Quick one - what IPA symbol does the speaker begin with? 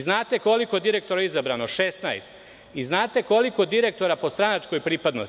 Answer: z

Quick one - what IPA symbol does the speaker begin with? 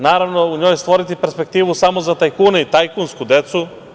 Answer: n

